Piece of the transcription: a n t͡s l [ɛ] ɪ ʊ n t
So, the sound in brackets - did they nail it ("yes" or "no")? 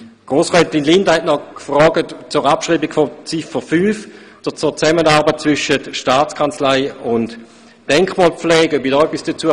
no